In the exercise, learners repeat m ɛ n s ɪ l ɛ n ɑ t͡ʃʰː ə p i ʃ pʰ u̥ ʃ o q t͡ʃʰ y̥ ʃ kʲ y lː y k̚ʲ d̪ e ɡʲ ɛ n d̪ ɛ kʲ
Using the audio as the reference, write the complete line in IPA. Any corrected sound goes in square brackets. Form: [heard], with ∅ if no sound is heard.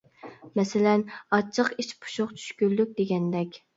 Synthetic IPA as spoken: m ɛ [∅] s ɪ l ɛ n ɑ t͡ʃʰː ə [q] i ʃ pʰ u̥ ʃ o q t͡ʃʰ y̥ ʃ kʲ y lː y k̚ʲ d̪ e ɡʲ ɛ n d̪ ɛ kʲ